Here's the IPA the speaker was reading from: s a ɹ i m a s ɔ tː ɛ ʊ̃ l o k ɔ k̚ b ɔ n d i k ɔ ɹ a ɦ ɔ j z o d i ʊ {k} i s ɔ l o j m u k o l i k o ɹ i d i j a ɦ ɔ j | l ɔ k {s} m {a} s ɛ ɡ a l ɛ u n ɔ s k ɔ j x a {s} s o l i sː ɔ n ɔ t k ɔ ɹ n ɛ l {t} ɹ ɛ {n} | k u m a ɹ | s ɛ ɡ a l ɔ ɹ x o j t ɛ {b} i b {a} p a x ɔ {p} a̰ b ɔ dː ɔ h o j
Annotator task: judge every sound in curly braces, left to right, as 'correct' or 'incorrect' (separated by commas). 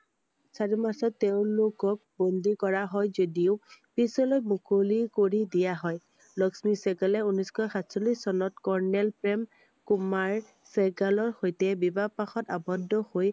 incorrect, correct, incorrect, incorrect, incorrect, incorrect, correct, correct, incorrect